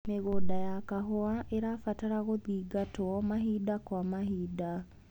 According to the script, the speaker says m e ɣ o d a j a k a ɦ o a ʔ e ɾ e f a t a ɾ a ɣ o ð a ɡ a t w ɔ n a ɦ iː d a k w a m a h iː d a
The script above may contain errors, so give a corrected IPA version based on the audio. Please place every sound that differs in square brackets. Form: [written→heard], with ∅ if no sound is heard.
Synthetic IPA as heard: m e ɣ o d a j a k a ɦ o a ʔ e ɾ [e→a] f a t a ɾ a ɣ o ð [a→i] ɡ a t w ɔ [n→m] a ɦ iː d a k w a m a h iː d a